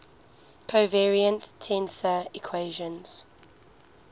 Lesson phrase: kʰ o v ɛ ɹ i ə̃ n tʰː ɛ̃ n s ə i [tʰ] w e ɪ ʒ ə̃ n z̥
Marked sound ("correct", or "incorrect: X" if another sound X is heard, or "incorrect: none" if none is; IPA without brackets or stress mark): incorrect: kʰ